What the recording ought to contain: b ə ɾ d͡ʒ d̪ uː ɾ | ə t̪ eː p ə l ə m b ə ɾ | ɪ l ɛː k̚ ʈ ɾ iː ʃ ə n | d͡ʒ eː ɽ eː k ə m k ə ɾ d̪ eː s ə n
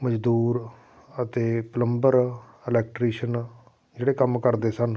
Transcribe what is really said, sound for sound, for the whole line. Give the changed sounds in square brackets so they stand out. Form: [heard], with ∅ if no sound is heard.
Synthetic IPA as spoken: [m] ə [∅] d͡ʒ d̪ uː ɾ | ə t̪ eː p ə l ə m b ə ɾ | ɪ l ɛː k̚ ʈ ɾ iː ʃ ə n | d͡ʒ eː ɽ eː k ə m k ə ɾ d̪ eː s ə n